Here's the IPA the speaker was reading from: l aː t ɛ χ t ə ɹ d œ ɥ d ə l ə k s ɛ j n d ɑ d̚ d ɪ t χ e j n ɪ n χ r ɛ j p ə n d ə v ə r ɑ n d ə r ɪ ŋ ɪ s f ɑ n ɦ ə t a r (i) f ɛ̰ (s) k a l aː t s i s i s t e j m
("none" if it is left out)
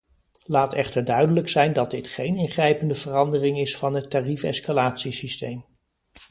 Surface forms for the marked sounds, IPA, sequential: i, s

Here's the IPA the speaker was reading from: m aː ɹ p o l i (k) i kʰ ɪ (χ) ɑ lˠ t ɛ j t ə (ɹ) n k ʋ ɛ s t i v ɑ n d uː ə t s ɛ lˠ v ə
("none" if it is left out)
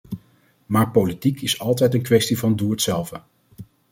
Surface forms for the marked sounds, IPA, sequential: t, s, none

